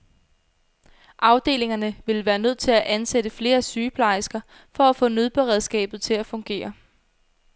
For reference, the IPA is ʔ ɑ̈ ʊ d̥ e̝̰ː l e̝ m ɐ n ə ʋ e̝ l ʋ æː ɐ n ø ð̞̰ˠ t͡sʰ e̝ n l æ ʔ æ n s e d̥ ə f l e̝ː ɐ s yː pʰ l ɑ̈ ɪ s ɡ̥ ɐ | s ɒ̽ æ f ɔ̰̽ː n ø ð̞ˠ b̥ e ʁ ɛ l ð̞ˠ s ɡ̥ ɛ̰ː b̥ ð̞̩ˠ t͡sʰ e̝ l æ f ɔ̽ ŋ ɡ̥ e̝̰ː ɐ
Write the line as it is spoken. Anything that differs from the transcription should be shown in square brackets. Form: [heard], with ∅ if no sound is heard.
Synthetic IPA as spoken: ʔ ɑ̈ ʊ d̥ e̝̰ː l e̝ [ŋ] ɐ n ə ʋ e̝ l ʋ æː ɐ n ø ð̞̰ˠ t͡sʰ e̝ [∅] l æ ʔ æ n s e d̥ ə f l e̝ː ɐ s yː pʰ l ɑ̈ ɪ s ɡ̥ ɐ | [f] ɒ̽ æ f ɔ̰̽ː n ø ð̞ˠ b̥ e ʁ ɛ [∅] ð̞ˠ s ɡ̥ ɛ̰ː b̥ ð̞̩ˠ t͡sʰ e̝ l æ f ɔ̽ ŋ ɡ̥ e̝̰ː ɐ